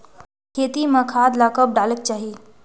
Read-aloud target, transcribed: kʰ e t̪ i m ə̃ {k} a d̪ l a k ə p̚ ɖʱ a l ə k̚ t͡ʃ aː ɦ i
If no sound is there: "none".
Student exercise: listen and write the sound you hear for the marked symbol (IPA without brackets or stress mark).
kʰ